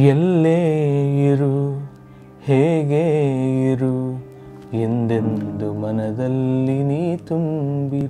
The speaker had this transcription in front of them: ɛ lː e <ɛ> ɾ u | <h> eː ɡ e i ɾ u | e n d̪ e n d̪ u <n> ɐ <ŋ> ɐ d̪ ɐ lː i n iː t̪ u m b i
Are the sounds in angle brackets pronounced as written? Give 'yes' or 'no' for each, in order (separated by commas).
no, yes, no, no